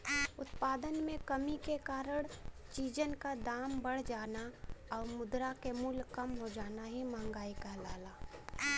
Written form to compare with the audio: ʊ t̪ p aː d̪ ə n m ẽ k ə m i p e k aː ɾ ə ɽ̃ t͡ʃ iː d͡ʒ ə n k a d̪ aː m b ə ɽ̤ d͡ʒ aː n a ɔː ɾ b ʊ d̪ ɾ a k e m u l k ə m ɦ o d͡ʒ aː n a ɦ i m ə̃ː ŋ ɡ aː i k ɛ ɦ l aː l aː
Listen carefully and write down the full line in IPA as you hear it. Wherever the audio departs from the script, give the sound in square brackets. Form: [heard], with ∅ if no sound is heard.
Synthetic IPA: ʊ t̪ p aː d̪ ə n m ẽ k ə m i [k] e k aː ɾ ə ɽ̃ t͡ʃ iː d͡ʒ ə n k a d̪ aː m b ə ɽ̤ d͡ʒ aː n a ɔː ɾ [m] ʊ d̪ ɾ a k e m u l k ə m ɦ o d͡ʒ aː n a ɦ i m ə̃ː ŋ ɡ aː i k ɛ ɦ l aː l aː